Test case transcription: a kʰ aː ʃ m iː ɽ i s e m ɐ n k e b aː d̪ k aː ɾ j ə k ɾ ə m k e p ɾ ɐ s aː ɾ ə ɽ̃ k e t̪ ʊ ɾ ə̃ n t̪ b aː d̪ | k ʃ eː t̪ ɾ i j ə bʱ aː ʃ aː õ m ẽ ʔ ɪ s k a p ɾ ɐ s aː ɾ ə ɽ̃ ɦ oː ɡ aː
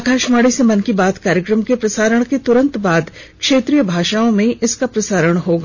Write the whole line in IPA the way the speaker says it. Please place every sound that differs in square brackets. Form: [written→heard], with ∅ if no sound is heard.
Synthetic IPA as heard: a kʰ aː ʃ m [iː→aː] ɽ i s e m ɐ n k [e→i] b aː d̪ k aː ɾ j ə k ɾ ə m k e p ɾ ɐ s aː ɾ ə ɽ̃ k e t̪ ʊ ɾ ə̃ n t̪ b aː d̪ | k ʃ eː t̪ ɾ i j ə bʱ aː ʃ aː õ m ẽ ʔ ɪ s k a p ɾ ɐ s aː ɾ ə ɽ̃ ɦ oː ɡ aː